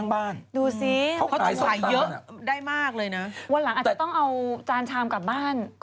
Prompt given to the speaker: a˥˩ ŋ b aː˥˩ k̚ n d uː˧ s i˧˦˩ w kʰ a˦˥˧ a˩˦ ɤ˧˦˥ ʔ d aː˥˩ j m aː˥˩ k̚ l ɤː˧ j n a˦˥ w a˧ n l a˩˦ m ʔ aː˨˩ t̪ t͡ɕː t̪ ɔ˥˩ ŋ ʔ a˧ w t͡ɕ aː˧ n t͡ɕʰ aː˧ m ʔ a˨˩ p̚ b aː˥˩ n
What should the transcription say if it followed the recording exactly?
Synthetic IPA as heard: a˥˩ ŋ b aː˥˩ n d uː˧ s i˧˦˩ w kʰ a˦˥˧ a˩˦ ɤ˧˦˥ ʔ d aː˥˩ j m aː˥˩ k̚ l ɤː˧ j n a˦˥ w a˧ n l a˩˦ ŋ ʔ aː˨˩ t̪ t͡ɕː t̪ ɔ˥˩ ŋ ʔ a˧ w t͡ɕ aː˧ n t͡ɕʰ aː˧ m k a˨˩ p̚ b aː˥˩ n